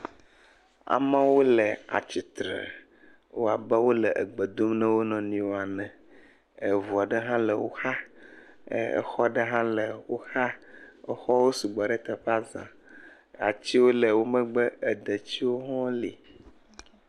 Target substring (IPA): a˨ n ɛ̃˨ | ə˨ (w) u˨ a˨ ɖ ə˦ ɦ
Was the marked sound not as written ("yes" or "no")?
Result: yes